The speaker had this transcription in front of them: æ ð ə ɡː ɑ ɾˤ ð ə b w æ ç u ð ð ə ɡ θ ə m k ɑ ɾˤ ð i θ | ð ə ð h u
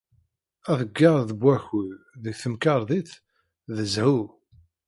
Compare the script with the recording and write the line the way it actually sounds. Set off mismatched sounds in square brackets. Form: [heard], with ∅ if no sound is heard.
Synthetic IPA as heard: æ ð ə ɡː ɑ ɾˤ ð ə b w æ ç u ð ð ə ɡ θ ə m k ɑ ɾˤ ð i θ | ð ə [z] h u